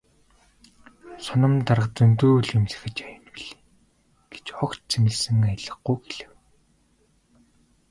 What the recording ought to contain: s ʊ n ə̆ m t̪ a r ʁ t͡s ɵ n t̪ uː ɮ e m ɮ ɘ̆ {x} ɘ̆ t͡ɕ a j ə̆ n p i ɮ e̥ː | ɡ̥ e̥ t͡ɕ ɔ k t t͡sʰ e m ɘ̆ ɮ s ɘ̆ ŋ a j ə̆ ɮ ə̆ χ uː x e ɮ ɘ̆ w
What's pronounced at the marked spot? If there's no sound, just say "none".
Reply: x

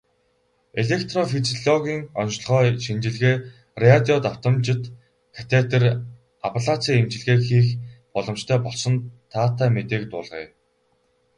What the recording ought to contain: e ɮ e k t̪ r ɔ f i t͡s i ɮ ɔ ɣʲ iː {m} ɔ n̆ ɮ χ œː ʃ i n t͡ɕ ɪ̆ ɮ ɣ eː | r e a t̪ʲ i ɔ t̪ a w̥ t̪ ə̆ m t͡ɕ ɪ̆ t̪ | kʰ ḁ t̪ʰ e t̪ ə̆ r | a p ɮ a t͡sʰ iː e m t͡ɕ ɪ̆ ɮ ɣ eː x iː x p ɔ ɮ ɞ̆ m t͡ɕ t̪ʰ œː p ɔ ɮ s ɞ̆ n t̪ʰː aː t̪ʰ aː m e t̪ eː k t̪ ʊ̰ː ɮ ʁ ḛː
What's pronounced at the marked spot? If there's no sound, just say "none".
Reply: ŋ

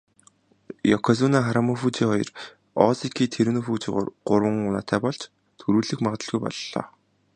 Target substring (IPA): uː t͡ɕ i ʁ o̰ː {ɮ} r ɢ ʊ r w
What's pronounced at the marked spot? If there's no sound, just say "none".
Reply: none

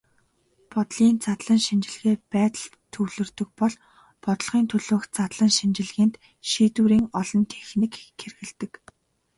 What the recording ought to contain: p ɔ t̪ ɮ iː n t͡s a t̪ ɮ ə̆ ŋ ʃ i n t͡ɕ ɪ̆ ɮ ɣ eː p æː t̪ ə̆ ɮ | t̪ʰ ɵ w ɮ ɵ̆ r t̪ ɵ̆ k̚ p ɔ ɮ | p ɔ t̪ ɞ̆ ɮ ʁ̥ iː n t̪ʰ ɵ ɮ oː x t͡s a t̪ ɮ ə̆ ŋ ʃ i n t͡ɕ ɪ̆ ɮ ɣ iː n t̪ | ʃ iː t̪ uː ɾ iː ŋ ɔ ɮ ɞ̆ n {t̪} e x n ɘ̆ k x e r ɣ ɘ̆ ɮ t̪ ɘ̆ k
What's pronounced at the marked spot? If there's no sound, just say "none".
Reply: t̪ʰ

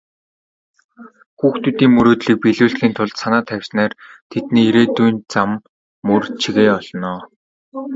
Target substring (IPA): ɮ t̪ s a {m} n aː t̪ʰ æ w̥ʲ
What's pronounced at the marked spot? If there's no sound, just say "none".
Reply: none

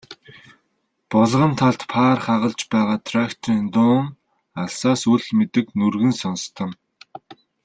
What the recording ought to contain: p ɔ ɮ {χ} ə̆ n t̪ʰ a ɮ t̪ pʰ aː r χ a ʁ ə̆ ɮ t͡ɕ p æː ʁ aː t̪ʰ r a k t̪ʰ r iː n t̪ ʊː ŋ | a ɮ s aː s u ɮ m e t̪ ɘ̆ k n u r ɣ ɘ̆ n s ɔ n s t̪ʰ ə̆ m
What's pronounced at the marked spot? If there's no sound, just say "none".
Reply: ʁ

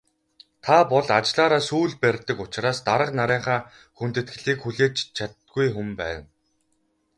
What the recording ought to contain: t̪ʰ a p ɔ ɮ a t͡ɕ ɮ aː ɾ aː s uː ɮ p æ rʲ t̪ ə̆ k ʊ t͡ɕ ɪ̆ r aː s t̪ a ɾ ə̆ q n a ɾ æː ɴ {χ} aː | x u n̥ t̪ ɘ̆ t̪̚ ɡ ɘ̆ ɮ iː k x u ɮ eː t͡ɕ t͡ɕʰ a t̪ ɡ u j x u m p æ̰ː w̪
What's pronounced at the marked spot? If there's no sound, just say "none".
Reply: χ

